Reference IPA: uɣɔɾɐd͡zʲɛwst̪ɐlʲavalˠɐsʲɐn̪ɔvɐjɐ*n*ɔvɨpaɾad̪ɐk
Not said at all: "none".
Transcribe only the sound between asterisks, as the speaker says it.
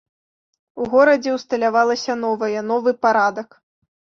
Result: n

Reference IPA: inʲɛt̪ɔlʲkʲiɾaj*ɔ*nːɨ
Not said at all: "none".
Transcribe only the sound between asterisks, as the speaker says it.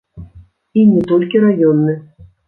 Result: ɔ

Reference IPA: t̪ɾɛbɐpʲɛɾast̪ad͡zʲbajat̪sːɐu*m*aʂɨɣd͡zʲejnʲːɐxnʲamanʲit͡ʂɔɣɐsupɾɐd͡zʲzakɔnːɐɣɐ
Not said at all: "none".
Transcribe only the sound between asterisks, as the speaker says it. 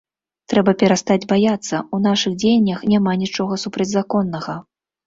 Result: n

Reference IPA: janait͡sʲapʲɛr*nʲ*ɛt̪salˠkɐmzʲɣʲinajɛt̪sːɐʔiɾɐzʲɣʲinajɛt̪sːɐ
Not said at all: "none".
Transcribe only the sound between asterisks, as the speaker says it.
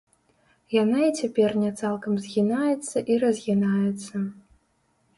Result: nʲ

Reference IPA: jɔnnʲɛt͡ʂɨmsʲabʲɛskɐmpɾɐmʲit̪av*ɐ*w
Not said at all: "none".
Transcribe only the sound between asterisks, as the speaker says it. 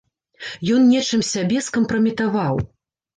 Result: a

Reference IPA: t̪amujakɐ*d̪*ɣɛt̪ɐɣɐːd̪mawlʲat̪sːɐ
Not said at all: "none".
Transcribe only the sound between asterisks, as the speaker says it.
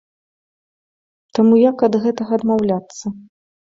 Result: d̪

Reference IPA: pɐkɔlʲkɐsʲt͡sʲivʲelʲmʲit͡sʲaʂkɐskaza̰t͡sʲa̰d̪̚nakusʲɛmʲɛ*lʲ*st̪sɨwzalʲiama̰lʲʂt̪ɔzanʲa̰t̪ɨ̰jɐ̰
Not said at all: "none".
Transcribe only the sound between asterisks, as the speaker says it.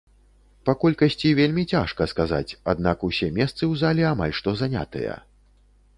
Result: none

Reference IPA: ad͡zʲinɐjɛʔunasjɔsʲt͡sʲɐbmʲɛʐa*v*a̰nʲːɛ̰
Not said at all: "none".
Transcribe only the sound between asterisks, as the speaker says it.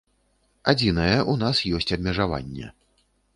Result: v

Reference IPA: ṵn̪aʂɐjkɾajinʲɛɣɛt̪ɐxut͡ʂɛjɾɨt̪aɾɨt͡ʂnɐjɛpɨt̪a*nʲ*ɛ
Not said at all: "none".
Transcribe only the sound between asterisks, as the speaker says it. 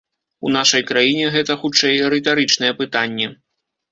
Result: nʲː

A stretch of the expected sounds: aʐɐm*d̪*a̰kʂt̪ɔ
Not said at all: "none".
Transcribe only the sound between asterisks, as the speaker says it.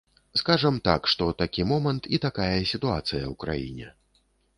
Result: t̪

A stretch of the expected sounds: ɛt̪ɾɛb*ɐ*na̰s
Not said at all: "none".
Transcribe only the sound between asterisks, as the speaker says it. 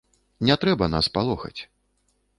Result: ɐ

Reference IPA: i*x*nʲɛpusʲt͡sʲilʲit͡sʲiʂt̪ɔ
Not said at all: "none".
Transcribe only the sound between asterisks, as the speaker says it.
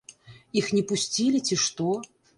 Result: x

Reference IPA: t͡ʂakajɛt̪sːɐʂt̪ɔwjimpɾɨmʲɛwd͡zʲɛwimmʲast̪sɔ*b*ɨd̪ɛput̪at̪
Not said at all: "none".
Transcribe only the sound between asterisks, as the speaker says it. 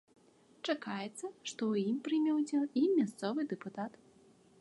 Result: v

